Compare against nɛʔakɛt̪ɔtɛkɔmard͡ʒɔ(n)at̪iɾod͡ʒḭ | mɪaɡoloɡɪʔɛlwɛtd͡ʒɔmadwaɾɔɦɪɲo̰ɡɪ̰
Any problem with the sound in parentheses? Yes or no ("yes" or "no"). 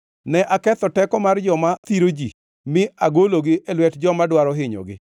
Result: yes